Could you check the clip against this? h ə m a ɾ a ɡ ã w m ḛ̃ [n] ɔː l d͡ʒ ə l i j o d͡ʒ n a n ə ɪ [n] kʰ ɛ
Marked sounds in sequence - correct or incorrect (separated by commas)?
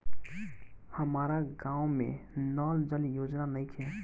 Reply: correct, incorrect